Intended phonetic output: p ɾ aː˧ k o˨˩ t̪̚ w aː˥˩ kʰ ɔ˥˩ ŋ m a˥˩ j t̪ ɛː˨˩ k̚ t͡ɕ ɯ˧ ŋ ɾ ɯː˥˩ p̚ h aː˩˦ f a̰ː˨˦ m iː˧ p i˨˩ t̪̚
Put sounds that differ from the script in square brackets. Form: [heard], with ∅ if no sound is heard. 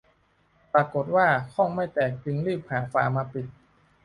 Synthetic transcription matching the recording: p ɾ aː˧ k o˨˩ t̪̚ w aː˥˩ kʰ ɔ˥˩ ŋ m a˥˩ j t̪ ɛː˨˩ k̚ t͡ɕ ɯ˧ ŋ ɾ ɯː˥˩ p̚ h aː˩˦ f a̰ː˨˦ m [aː˧] p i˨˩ t̪̚